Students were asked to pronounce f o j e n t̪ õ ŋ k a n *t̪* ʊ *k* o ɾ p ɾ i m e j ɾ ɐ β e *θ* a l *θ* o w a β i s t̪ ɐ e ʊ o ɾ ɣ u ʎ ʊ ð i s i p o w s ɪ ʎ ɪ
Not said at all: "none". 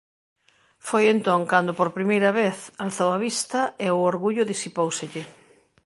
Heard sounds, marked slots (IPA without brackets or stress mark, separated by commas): d̪, p, θ, θ